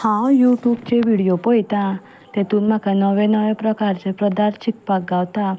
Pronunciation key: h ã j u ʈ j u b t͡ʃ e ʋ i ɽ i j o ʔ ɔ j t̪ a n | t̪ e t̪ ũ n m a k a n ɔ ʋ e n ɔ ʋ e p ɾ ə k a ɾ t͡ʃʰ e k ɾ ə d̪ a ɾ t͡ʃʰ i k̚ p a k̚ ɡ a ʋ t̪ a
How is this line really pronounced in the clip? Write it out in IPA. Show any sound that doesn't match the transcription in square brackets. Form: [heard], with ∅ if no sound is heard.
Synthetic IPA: h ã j u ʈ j u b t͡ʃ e ʋ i ɽ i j o [p] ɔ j t̪ a [∅] | t̪ e t̪ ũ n m a k a n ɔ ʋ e n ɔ ʋ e p ɾ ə k a ɾ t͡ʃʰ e [p] ɾ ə d̪ a ɾ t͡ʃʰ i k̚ p a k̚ ɡ a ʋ t̪ a

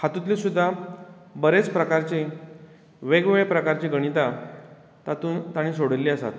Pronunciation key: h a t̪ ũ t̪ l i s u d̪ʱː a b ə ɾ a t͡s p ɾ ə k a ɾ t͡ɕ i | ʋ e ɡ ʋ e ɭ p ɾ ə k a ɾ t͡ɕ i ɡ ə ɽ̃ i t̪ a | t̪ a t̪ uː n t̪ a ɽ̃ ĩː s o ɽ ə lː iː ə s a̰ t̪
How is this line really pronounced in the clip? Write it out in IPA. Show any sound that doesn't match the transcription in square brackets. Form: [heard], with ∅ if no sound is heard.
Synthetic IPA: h a t̪ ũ t̪ l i s u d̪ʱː a b ə ɾ [e] t͡s p ɾ ə k a ɾ t͡ɕ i | ʋ e ɡ ʋ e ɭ p ɾ ə k a ɾ t͡ɕ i ɡ ə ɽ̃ i t̪ a | t̪ a t̪ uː n t̪ a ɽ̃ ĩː s o ɽ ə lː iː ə s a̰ t̪

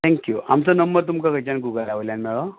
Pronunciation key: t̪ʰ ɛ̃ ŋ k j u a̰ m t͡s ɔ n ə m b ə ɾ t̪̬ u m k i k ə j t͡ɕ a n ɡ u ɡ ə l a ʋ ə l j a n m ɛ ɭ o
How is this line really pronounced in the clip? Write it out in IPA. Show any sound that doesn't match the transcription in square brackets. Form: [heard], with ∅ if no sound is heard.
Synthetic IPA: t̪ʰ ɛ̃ ŋ k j u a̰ m t͡s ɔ n ə m b ə ɾ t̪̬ u m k [a] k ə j t͡ɕ a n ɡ u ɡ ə l a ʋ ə l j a n m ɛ ɭ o

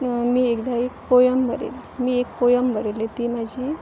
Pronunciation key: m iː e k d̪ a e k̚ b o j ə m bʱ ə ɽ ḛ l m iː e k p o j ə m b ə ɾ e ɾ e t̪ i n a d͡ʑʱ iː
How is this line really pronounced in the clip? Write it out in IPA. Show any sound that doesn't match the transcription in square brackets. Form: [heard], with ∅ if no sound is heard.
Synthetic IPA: m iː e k d̪ a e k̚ [p] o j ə m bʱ ə [ɾ] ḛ l m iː e k p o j ə m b ə ɾ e [l] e t̪ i [m] a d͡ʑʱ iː

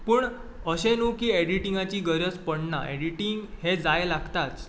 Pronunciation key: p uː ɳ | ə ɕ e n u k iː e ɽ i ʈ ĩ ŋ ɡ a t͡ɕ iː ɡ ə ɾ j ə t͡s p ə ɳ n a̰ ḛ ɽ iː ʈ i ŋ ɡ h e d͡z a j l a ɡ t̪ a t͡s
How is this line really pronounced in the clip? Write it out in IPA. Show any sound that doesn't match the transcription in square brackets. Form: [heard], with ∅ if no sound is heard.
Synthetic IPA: p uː ɳ | ə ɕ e n u k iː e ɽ i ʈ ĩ ŋ ɡ a t͡ɕ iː ɡ ə ɾ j ə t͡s p ə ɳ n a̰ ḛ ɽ [i] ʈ i ŋ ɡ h e d͡z a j l a ɡ t̪ a t͡s

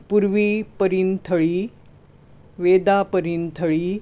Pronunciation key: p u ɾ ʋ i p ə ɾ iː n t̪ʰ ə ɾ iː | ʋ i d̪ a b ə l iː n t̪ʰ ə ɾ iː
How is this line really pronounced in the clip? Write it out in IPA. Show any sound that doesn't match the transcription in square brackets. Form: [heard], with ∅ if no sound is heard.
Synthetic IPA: p u ɾ ʋ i p ə ɾ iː n t̪ʰ ə [ɭ] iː | ʋ [e] d̪ a [p] ə [ɾ] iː n t̪ʰ ə [ɭ] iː

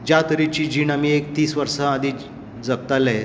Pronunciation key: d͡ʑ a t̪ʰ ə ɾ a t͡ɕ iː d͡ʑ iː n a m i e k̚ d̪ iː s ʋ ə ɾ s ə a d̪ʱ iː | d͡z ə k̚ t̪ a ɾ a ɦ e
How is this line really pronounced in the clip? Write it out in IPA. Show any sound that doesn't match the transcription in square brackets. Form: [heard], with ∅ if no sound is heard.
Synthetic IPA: d͡ʑ a [t̪] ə ɾ [i] t͡ɕ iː d͡ʑ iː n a m i e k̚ [t̪] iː s ʋ ə ɾ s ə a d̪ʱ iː | d͡z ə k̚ t̪ a [l] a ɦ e

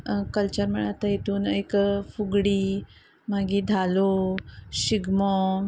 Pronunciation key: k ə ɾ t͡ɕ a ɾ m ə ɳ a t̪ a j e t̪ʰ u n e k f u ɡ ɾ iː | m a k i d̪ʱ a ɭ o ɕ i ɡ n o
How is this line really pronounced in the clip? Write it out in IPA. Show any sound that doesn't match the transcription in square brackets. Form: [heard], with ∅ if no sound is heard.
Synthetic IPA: k ə [l] t͡ɕ [ə] ɾ m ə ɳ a t̪ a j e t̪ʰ [uː] n e k f u ɡ [ɽ] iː | m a [ɡ] i d̪ʱ a [l] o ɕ i ɡ [m] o

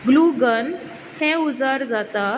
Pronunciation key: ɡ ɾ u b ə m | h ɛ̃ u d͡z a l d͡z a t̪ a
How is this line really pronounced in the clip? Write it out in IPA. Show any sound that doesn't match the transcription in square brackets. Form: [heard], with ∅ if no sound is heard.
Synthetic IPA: ɡ [l] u [ɡ] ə [n] | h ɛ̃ u d͡z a [ɾ] d͡z a t̪ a

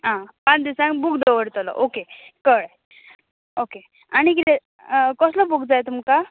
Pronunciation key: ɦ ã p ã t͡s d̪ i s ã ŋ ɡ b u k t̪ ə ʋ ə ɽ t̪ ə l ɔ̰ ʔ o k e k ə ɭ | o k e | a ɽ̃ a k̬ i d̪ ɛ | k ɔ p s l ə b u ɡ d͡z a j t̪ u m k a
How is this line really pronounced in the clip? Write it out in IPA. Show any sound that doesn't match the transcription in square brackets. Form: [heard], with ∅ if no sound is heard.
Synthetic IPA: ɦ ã p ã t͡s d̪ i s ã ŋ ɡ b u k [d̪] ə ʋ ə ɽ t̪ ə l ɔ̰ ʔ o k e k ə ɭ | o k e | a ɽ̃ [i] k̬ i [t̪] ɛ | k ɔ [∅] s l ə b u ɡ d͡z a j t̪ u m k a

